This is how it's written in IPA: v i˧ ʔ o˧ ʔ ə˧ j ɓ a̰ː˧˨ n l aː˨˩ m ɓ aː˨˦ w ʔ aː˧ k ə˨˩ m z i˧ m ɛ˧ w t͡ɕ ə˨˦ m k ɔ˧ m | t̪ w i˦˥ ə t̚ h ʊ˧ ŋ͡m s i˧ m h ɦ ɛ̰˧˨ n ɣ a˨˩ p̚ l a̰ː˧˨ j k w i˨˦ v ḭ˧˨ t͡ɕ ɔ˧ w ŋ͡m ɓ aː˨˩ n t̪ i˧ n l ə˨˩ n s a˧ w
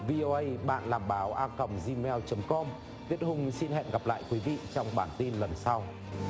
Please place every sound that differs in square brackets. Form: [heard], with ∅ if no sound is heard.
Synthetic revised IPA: v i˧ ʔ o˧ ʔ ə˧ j ɓ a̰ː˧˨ n l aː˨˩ m ɓ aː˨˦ w ʔ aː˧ k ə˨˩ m z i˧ m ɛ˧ w t͡ɕ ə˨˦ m k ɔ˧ m | t̪ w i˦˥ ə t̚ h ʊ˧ ŋ͡m s i˧ [n] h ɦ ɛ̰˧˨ n ɣ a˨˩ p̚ l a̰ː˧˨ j k w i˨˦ v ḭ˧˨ t͡ɕ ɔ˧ w ŋ͡m ɓ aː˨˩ n t̪ i˧ n l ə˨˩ n s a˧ w